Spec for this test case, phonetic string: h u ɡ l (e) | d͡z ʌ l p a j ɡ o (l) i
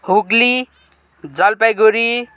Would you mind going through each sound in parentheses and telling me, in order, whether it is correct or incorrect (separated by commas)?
incorrect, incorrect